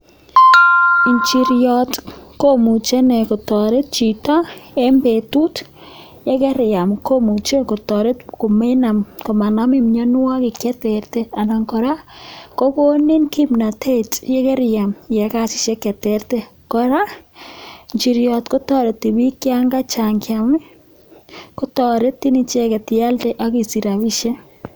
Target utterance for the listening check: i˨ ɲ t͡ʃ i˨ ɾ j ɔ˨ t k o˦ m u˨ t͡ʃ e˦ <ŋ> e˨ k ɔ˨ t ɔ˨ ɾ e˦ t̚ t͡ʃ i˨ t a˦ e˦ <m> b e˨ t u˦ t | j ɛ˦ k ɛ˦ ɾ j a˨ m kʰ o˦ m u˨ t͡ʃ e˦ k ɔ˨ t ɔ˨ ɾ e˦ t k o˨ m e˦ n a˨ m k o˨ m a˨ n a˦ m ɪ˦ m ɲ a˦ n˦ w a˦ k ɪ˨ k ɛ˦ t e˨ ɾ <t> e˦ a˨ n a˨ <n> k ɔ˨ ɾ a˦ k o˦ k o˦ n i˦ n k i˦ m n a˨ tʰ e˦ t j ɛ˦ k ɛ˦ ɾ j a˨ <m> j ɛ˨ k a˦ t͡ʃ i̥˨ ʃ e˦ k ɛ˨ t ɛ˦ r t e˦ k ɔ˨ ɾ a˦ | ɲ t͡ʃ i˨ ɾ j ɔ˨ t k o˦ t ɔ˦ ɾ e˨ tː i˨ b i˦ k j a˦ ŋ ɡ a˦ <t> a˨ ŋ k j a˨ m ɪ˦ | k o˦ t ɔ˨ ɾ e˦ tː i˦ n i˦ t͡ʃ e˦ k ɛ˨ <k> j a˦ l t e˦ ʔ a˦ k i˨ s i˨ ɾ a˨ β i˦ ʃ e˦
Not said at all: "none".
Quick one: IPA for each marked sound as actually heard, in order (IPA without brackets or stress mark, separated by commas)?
n, m, t, ŋ, m, t͡ʃ, t